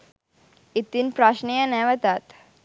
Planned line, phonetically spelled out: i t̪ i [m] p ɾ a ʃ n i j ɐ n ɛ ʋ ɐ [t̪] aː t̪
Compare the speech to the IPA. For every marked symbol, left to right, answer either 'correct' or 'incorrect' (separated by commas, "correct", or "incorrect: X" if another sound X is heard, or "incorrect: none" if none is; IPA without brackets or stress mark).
incorrect: n, correct